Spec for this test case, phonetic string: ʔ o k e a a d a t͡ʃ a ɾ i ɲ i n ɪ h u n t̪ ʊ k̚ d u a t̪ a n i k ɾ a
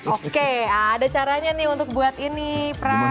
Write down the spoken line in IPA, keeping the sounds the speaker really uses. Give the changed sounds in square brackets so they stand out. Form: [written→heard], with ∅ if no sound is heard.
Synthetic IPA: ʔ o k e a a d a t͡ʃ a ɾ [i→a] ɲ [i→a] n ɪ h u n t̪ ʊ k̚ [d→b] u a t̪ [a→i] n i [k→p] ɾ a